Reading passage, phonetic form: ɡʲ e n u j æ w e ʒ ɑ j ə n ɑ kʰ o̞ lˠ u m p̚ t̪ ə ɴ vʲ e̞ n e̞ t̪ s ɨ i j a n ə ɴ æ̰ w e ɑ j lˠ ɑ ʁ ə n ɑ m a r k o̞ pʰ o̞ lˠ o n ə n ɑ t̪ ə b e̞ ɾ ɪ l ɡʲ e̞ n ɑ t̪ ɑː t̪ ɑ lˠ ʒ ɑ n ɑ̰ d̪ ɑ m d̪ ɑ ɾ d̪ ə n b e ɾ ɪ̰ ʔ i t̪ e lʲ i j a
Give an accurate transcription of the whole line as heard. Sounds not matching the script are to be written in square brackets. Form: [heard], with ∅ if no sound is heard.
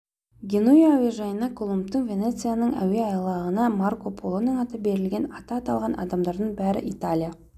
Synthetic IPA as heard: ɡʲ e n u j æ w e ʒ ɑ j ə n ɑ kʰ o̞ lˠ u m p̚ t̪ ə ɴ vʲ e̞ n e̞ t̪ s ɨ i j a n ə ɴ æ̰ w e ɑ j lˠ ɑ ʁ ə n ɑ m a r k o̞ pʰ o̞ lˠ o n ə [ɴ] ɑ t̪ ə b e̞ ɾ ɪ l ɡʲ e̞ n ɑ t̪ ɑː t̪ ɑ lˠ [ʁ] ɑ n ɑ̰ d̪ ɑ m d̪ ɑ ɾ d̪ ə [ɴ] b [æ] ɾ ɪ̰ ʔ i t̪ [a] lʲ i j a

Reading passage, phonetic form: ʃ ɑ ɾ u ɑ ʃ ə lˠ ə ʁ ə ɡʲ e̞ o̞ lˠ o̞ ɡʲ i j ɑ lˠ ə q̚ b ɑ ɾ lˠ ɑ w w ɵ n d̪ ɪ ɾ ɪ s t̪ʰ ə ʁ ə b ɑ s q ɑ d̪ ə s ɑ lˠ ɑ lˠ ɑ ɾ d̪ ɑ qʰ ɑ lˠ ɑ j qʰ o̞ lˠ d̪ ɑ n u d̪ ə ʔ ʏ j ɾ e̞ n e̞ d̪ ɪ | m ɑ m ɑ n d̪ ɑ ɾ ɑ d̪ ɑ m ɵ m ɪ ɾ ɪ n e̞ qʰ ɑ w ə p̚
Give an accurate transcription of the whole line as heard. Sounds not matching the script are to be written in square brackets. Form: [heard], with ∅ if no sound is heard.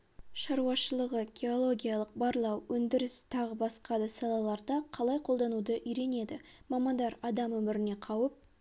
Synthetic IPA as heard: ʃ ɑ ɾ u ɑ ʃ ə lˠ ə ʁ ə ɡʲ e̞ o̞ lˠ o̞ ɡʲ i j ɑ lˠ ə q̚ b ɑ ɾ lˠ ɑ w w ɵ n d̪ ɪ ɾ ɪ s t̪ʰ [ɑ] ʁ ə b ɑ s q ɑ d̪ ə s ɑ lˠ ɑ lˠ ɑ ɾ d̪ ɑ qʰ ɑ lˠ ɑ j qʰ o̞ lˠ d̪ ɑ n u d̪ ə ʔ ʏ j ɾ e̞ n e̞ d̪ ɪ | m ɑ m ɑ n d̪ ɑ ɾ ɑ d̪ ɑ m ɵ m ɪ ɾ ɪ n e̞ qʰ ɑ w ə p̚

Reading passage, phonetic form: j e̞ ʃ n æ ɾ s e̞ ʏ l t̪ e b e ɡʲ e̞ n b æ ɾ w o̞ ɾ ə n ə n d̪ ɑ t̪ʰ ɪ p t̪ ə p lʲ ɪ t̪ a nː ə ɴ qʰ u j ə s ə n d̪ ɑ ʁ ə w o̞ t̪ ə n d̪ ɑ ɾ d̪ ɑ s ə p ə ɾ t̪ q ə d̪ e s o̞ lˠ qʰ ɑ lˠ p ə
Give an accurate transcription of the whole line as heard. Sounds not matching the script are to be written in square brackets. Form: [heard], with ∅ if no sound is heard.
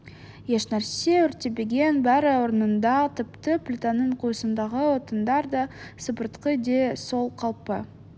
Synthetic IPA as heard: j e̞ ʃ n æ ɾ s e̞ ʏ [ɾ] t̪ e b e ɡʲ e̞ n b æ ɾ w o̞ ɾ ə n ə n d̪ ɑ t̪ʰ ɪ p t̪ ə p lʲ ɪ t̪ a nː ə ɴ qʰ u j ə s ə n d̪ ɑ ʁ ə w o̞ t̪ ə n d̪ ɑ ɾ d̪ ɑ s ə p ə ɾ t̪ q ə d̪ e s o̞ lˠ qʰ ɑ lˠ p ə

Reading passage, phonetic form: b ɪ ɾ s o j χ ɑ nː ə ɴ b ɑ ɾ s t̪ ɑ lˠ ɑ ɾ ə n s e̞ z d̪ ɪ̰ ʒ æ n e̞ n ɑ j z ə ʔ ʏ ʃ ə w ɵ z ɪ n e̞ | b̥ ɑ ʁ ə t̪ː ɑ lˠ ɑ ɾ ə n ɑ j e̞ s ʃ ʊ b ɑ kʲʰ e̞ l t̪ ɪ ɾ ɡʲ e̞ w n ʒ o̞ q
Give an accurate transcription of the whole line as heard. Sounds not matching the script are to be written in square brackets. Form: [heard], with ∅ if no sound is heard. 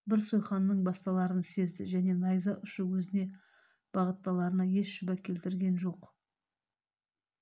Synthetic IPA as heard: b ɪ ɾ s o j χ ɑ nː ə ɴ b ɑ [∅] s t̪ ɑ lˠ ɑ ɾ ə n s e̞ z d̪ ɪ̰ ʒ æ n e̞ n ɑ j z [ɑ] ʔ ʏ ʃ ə w ɵ z ɪ n e̞ | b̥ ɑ ʁ ə t̪ː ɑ lˠ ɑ ɾ ə n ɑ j e̞ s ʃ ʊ b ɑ kʲʰ e̞ l t̪ ɪ ɾ ɡʲ e̞ [∅] n ʒ o̞ q

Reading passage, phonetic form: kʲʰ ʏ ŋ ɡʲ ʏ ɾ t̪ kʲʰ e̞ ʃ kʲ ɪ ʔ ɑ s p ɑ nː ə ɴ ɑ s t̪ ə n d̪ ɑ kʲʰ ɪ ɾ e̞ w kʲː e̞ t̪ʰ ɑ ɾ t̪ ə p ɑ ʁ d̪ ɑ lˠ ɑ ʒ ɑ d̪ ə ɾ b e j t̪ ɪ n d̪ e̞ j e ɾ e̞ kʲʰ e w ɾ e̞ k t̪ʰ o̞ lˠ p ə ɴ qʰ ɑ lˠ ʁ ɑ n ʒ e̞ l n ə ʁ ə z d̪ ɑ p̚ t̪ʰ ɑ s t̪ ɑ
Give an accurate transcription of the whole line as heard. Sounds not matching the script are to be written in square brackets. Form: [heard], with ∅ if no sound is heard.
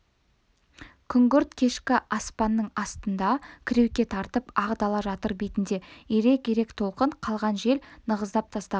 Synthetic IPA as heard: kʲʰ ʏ ŋ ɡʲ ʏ ɾ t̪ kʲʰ e̞ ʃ kʲ ɪ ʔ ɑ s p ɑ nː ə ɴ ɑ s t̪ ə n d̪ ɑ kʲʰ ɪ ɾ e̞ w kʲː e̞ t̪ʰ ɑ ɾ t̪ ə p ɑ ʁ d̪ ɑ lˠ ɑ ʒ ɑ [t̪] ə ɾ b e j t̪ ɪ n d̪ e̞ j e ɾ e̞ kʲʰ e [∅] ɾ e̞ k t̪ʰ o̞ lˠ [q] ə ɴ qʰ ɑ lˠ ʁ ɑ n ʒ e̞ l n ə ʁ ə z d̪ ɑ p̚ t̪ʰ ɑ s t̪ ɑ

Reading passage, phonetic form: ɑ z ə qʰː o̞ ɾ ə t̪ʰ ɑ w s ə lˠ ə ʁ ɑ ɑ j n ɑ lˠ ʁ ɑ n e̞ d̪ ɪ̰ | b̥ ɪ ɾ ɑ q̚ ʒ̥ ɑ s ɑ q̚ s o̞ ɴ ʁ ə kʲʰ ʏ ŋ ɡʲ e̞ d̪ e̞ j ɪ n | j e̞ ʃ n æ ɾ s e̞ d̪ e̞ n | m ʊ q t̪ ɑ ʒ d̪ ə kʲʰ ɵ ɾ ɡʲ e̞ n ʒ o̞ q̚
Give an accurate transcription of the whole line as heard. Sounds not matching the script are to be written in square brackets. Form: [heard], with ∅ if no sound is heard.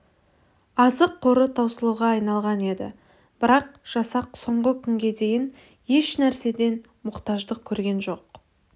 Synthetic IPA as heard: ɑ z ə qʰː o̞ ɾ ə t̪ʰ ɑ w s ə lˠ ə ʁ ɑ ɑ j n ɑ lˠ ʁ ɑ n e̞ d̪ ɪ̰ | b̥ ɪ ɾ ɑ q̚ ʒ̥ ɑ s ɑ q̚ s o̞ ɴ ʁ ə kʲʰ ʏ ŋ ɡʲ e̞ d̪ e̞ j ɪ n | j e̞ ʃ n æ ɾ s e̞ d̪ e̞ n | m ʊ q t̪ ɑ ʒ d̪ ə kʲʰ ɵ ɾ ɡʲ e̞ n ʒ o̞ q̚

